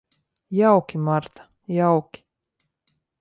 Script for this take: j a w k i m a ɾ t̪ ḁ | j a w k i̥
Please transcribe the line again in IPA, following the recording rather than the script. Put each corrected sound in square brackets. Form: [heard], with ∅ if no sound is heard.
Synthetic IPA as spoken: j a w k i m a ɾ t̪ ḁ | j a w k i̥